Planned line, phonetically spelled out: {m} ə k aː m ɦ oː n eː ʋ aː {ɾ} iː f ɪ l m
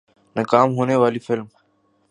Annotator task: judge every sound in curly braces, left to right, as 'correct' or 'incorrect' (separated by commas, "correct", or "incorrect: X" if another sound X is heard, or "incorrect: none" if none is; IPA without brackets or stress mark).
incorrect: n, incorrect: l